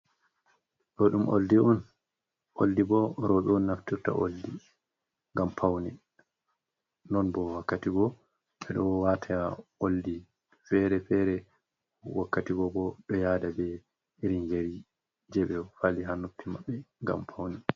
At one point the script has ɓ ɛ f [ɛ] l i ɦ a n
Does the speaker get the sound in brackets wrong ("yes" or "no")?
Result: yes